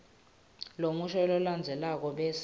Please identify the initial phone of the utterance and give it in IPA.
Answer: l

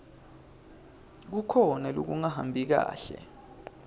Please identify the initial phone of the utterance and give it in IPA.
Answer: k̬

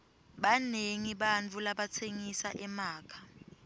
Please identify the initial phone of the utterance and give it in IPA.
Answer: ɓ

